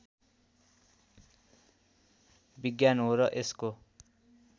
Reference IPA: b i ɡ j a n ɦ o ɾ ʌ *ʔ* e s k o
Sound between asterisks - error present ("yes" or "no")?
no